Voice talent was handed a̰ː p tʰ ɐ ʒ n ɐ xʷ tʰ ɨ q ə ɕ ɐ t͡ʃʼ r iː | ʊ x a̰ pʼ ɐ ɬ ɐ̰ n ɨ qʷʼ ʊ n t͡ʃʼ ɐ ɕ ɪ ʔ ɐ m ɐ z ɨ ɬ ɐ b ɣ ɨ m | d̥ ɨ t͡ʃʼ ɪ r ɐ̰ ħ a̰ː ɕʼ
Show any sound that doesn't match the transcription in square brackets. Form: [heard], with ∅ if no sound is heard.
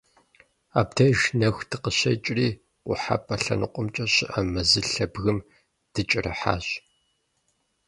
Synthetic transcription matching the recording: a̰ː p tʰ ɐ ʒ n ɐ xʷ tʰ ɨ q ə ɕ ɐ t͡ʃʼ r iː | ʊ [ħ] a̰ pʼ ɐ ɬ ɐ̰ n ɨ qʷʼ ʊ [m] t͡ʃʼ ɐ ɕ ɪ ʔ ɐ m ɐ z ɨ ɬ ɐ b ɣ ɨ m | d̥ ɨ t͡ʃʼ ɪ r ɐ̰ ħ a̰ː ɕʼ